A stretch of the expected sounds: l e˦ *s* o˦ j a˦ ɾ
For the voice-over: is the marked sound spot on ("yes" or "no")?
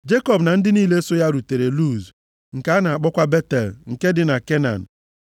yes